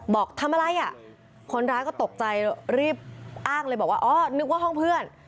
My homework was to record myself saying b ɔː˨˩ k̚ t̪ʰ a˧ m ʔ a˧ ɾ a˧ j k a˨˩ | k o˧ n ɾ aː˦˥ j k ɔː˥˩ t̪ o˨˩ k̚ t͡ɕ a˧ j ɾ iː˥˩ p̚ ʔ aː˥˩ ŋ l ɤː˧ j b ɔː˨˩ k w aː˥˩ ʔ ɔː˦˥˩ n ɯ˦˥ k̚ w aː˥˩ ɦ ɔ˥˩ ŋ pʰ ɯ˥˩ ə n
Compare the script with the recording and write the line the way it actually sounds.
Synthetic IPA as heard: b ɔː˨˩ k̚ t̪ʰ a˧ m ʔ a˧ ɾ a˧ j ʔ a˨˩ | kʰ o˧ n ɾ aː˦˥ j k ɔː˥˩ t̪ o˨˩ k̚ t͡ɕ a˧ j ɾ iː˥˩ p̚ ʔ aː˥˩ ŋ l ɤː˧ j b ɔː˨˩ k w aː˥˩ ʔ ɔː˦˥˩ n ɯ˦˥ k̚ w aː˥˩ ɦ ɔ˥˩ ŋ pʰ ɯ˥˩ ə n